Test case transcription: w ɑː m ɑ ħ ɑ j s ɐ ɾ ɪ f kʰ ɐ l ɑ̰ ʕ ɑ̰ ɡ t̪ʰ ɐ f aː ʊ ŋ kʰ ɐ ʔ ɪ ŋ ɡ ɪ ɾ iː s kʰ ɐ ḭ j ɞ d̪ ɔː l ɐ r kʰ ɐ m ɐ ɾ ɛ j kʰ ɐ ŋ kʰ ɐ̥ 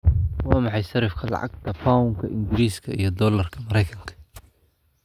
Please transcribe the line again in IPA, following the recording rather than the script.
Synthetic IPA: w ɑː m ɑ ħ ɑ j s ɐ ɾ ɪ f kʰ ɐ l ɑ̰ ʕ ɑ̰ ɡ t̪ʰ ɐ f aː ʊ ŋ kʰ ɐ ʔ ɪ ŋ ɡ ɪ ɾ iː s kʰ ɐ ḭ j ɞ d̪ ɔː l ɐ r kʰ ɐ m ɐ ɾ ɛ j kʰ ɐ ŋ kʰ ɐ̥